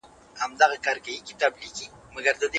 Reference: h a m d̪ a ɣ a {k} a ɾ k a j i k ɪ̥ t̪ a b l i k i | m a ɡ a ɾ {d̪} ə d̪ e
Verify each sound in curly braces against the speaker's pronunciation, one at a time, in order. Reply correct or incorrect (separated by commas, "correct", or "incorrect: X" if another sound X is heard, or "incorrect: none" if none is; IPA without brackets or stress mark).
correct, correct